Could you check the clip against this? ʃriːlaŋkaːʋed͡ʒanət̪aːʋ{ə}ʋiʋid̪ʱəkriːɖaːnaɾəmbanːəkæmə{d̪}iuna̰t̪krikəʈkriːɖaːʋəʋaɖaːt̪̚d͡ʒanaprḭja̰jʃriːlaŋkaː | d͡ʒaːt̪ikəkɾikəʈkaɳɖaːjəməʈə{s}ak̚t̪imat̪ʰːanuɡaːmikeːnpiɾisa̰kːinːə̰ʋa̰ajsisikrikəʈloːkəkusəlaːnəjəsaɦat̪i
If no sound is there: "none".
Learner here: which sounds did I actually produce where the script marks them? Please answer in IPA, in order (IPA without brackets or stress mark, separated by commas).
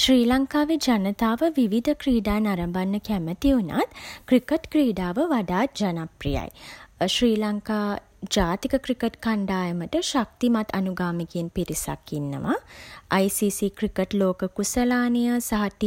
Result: ə, t̪, ʃ